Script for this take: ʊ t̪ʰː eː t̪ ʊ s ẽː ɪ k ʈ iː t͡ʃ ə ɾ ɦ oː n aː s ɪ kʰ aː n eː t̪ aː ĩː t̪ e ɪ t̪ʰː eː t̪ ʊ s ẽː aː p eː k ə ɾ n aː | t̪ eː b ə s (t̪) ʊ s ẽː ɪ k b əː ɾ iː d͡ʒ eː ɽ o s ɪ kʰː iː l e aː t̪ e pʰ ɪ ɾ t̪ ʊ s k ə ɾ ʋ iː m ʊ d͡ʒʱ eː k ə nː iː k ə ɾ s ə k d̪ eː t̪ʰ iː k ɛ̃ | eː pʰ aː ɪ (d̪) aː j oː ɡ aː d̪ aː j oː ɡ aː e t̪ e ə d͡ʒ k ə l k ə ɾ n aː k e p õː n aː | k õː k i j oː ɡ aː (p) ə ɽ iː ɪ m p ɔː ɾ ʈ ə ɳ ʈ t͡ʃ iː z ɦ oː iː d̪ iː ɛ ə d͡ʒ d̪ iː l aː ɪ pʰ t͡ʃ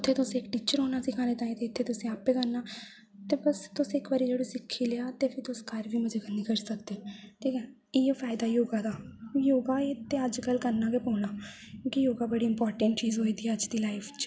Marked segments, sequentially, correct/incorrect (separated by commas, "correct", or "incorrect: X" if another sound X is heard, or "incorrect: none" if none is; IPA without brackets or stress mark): correct, correct, incorrect: b